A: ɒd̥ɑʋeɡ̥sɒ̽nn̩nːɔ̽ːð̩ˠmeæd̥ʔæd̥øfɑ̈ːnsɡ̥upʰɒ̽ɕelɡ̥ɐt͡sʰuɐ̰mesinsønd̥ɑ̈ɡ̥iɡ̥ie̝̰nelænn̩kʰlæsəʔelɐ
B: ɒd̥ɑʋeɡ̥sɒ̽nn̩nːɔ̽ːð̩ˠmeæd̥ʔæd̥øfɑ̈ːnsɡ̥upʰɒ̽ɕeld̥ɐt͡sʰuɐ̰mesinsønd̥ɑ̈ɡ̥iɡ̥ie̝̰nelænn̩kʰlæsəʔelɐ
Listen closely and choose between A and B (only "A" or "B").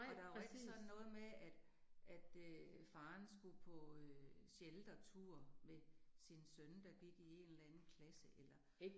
B